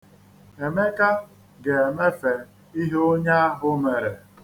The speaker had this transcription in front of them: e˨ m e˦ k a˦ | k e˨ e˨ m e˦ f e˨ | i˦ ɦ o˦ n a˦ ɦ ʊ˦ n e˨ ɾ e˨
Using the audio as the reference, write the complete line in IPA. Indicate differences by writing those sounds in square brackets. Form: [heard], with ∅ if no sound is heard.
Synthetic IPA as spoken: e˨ m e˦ k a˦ | [ɡ] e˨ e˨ m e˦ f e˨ | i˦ ɦ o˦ [ɲ] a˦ ɦ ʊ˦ [m] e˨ ɾ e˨

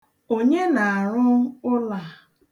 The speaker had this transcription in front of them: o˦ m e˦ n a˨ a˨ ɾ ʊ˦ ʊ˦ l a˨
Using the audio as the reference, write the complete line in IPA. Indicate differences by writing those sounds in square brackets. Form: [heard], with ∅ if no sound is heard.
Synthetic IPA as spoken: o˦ [ɲ] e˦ n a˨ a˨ ɾ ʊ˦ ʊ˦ l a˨

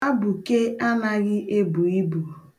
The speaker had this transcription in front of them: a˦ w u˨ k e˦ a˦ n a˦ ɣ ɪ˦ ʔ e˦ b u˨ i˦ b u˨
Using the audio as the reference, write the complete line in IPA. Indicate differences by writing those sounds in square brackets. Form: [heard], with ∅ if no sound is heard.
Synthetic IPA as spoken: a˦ [b] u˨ k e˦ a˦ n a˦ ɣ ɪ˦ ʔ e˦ b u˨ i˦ b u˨

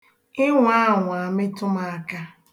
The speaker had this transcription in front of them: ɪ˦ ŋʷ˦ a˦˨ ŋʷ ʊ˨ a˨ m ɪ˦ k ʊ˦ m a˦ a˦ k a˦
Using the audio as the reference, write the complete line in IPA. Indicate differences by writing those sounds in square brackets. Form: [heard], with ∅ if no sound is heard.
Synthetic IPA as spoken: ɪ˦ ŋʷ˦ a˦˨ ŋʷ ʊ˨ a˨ m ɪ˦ [t] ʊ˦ m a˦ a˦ k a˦

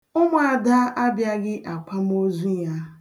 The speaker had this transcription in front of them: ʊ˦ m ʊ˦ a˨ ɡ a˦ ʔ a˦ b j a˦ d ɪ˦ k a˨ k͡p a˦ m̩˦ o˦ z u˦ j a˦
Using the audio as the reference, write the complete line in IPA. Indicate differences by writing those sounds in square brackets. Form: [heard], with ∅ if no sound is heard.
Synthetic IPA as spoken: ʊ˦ m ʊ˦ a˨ [d] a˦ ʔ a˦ b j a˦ [ɡ] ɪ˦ [ʔ] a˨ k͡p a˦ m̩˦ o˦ z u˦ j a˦

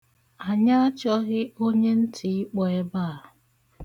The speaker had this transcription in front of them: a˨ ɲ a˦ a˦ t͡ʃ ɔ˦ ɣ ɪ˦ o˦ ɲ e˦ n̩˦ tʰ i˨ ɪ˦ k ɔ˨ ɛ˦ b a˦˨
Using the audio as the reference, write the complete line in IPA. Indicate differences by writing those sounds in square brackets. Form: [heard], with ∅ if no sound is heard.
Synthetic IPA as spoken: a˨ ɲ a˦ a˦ t͡ʃ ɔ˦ ɣ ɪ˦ o˦ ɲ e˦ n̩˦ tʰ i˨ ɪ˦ [k͡p] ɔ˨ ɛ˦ b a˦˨

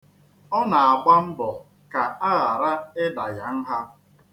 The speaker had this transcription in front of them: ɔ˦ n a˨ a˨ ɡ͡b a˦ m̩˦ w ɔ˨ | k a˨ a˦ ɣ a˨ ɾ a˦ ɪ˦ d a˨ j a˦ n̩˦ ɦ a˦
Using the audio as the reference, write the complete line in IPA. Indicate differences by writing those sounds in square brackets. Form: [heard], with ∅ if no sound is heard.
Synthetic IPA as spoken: ɔ˦ n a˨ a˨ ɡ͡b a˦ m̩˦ [b] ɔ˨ | k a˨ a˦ ɣ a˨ ɾ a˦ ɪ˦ d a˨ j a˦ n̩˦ ɦ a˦

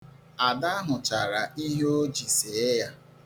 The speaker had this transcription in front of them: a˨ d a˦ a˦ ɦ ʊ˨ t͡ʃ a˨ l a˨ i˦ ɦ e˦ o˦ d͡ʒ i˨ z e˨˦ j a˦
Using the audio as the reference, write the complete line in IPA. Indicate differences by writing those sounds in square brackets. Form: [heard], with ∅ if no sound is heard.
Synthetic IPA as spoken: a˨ d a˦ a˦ ɦ ʊ˨ t͡ʃ a˨ [ɾ] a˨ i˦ ɦ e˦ o˦ d͡ʒ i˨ [s] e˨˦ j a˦

